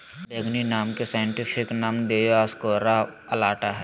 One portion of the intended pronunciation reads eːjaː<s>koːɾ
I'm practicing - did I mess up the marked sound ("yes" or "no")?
no